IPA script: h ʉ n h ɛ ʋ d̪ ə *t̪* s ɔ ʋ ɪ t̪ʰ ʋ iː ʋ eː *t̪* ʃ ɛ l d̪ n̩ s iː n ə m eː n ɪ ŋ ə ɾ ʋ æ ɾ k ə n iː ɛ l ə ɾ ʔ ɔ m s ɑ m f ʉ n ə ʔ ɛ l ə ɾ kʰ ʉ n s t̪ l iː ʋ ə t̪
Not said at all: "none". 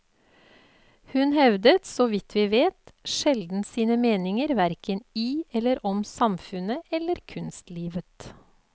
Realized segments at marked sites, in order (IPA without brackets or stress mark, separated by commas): t̪, t̪